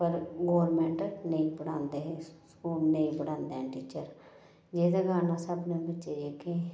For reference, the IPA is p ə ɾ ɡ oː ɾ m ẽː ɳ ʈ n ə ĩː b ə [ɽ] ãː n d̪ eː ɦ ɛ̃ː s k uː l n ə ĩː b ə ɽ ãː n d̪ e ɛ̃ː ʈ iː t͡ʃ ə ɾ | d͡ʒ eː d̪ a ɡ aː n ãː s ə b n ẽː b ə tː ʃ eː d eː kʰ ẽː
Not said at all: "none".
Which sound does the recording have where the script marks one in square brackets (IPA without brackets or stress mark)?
ɽ